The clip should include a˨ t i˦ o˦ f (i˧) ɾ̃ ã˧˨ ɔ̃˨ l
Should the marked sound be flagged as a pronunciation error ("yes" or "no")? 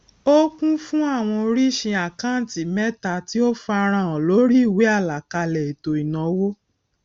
yes